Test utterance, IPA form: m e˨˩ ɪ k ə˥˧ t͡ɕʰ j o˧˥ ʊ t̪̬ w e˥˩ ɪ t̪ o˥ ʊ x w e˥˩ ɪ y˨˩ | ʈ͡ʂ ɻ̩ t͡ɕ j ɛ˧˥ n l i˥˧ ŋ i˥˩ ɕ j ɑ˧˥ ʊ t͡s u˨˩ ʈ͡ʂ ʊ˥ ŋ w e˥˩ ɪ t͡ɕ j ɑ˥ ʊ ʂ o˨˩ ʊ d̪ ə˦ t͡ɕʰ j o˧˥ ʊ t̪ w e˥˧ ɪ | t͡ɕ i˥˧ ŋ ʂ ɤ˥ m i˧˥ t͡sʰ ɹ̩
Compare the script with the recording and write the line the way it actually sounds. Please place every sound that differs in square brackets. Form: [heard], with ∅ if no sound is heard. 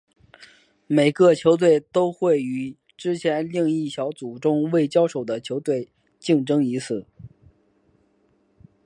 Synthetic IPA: m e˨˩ ɪ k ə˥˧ t͡ɕʰ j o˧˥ ʊ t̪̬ w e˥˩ ɪ t̪ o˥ ʊ x w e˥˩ ɪ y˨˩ | ʈ͡ʂ ɻ̩ [t͡ɕʰ] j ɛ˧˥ n l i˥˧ ŋ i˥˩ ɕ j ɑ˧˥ ʊ t͡s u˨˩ ʈ͡ʂ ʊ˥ ŋ w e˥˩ ɪ t͡ɕ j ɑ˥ ʊ ʂ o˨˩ ʊ d̪ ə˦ t͡ɕʰ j o˧˥ ʊ t̪ w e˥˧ ɪ | t͡ɕ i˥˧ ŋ [ʈ͡ʂ] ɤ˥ [ŋ] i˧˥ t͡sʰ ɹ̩